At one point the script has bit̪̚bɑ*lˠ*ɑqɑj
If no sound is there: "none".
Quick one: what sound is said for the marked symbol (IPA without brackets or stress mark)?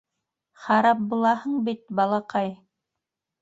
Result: lˠ